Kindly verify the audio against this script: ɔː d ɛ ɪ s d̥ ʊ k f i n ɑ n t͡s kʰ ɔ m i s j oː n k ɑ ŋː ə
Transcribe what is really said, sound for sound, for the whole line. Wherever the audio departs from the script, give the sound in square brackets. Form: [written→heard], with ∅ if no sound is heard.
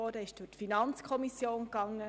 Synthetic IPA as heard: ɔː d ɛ ɪ [s→ʃ] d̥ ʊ [k→t] f i n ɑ n t͡s kʰ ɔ m i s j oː n k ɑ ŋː ə